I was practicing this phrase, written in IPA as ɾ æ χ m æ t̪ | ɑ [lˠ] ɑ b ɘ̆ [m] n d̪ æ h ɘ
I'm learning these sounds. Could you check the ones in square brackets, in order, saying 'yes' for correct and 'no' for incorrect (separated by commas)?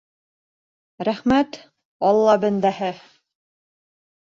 no, no